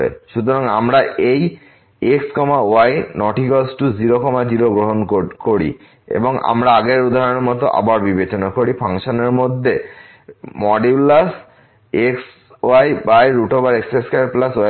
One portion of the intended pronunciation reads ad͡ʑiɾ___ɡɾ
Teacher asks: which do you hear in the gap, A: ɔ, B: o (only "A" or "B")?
B